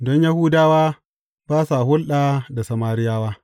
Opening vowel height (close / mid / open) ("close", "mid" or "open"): mid